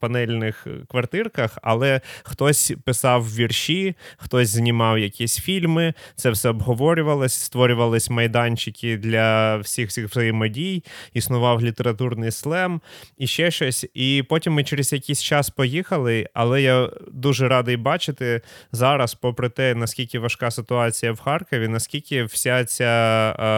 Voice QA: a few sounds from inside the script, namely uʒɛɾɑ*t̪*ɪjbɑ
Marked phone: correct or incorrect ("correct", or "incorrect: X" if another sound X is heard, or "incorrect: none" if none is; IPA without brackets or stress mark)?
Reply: incorrect: d̪